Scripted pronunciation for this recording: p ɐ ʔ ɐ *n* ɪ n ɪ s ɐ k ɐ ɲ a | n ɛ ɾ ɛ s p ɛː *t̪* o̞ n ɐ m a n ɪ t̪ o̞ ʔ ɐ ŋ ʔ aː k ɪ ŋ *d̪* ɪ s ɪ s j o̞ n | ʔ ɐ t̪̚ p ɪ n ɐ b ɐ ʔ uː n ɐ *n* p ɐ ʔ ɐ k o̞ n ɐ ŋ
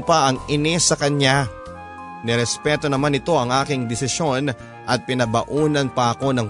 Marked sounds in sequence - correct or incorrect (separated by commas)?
incorrect, correct, correct, correct